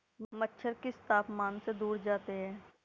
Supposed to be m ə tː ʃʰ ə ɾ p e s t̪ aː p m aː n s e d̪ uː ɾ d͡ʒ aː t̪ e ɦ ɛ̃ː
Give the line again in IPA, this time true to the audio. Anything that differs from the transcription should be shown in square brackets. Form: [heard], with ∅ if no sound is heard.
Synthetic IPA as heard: m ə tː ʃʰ ə ɾ [k] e s t̪ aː p m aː n s e d̪ uː ɾ d͡ʒ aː t̪ e ɦ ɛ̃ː